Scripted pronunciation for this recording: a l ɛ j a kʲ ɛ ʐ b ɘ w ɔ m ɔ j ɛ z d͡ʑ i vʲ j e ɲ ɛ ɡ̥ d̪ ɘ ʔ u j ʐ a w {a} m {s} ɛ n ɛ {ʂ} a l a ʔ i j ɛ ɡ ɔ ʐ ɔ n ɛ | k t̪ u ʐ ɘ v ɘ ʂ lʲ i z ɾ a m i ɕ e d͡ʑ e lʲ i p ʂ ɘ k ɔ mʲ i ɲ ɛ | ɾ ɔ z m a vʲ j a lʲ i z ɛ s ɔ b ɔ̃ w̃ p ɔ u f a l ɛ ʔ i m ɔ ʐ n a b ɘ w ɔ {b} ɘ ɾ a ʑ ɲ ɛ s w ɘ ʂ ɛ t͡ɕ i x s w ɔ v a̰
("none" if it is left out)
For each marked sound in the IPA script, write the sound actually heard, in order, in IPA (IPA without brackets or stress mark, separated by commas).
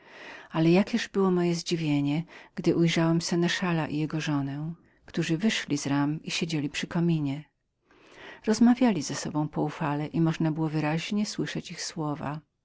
ɛ, s, ʂ, v